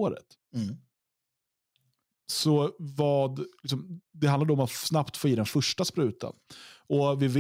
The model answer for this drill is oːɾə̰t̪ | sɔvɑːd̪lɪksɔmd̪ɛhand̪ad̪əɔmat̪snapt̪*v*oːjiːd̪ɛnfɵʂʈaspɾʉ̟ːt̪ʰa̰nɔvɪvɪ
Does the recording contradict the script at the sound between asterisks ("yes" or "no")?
yes